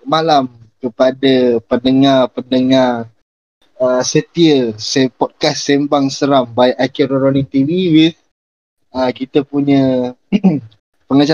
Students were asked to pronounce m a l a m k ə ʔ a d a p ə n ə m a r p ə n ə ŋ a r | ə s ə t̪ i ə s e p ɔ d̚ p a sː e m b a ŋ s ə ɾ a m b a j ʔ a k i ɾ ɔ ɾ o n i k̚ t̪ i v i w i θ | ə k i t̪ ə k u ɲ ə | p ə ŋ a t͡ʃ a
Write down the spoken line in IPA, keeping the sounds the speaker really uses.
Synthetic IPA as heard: m a l a m k ə p a d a p ə n ə ŋ a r p ə n ə ŋ a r | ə s ə t̪ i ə s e p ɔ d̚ k a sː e m b a ŋ s ə ɾ a m b a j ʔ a k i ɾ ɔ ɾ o n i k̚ t̪ i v i w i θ | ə k i t̪ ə p u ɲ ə | p ə ŋ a t͡ʃ a